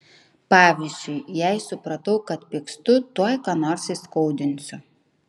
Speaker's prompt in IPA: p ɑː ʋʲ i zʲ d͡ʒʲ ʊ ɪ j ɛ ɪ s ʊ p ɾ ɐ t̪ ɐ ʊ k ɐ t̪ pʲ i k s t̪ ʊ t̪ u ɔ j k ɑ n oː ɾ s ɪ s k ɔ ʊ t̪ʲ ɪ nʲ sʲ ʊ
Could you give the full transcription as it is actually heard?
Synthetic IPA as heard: p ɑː ʋʲ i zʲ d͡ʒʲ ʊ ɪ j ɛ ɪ s ʊ p ɾ ɐ t̪ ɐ ʊ k ɐ t̪ pʲ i k s t̪ ʊ t̪ u ɔ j k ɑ n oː ɾ s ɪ s k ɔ ʊ d̪ʲ ɪ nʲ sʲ ʊ